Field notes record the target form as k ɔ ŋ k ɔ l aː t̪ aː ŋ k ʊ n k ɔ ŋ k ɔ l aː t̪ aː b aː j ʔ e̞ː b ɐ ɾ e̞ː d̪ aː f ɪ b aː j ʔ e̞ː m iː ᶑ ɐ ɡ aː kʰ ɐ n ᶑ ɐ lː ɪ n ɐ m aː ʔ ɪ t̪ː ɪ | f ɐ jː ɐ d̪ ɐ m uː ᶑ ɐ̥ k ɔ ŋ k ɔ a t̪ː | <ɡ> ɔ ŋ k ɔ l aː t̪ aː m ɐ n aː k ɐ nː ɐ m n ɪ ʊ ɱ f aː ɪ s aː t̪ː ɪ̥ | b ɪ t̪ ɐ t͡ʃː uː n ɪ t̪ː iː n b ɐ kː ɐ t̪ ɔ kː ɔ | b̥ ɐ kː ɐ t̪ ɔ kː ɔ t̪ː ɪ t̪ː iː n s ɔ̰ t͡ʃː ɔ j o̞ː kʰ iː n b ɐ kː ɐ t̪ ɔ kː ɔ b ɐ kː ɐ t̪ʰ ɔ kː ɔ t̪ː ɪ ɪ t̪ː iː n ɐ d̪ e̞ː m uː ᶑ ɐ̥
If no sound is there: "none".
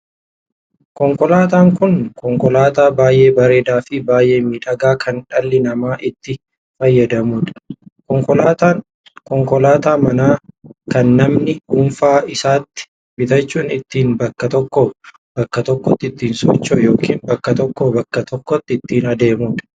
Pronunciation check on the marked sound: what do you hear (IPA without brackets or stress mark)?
k